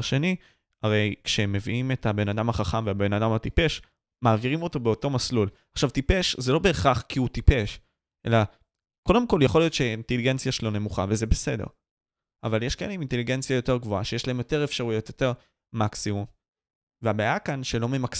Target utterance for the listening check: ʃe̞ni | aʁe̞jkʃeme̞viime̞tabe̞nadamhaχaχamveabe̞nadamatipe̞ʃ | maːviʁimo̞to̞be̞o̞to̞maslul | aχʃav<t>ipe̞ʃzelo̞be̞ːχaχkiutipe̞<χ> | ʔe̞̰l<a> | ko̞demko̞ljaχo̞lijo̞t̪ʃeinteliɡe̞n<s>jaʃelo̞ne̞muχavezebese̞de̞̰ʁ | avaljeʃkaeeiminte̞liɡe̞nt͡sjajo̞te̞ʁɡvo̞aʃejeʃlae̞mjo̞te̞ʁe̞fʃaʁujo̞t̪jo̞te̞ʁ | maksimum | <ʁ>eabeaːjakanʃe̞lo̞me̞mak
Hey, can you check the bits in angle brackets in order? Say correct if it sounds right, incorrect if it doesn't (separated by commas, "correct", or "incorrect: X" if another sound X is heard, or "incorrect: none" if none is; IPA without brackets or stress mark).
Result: correct, incorrect: ʃ, correct, incorrect: t͡s, incorrect: v